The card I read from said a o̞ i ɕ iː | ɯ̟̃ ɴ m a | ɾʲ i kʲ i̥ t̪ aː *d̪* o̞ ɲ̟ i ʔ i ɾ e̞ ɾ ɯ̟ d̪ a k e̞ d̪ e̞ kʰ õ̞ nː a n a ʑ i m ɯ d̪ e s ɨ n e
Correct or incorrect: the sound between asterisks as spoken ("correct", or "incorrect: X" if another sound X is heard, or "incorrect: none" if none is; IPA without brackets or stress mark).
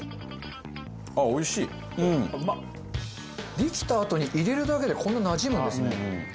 incorrect: t̪